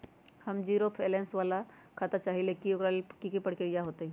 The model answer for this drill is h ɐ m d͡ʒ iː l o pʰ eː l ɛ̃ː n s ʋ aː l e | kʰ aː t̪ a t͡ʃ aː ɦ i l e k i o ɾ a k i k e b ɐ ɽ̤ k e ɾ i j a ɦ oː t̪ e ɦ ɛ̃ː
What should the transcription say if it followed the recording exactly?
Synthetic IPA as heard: h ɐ m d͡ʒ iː ɾ o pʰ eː l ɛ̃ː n s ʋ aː l a | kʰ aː t̪ a t͡ʃ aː ɦ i l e k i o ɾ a k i k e p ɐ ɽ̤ k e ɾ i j a ɦ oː t̪ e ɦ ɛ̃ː